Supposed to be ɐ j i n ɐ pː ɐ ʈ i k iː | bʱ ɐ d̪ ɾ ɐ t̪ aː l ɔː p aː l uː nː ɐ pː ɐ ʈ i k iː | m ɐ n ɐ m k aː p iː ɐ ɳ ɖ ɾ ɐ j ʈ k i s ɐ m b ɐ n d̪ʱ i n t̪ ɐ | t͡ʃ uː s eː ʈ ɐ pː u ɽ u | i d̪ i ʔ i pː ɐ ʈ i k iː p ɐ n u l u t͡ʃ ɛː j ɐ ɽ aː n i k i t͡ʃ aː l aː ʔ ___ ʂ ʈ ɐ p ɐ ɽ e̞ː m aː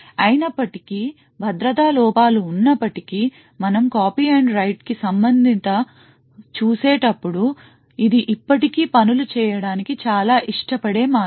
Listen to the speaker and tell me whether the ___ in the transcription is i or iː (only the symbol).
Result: i